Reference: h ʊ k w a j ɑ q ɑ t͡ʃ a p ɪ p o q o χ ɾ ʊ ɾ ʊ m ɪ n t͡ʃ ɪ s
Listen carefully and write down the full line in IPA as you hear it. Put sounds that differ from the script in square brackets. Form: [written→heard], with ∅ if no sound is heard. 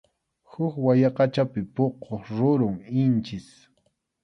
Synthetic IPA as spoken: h ʊ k w a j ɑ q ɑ t͡ʃ a p ɪ p o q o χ ɾ ʊ ɾ ʊ [m→ŋ] ɪ n t͡ʃ ɪ s